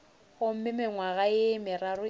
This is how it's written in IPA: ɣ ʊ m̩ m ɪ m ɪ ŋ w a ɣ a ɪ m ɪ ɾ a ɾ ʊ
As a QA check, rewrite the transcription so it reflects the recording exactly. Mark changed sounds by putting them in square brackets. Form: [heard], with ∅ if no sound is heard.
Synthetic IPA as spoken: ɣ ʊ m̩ m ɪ m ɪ ŋ w a ɣ a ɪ m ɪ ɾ a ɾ ʊ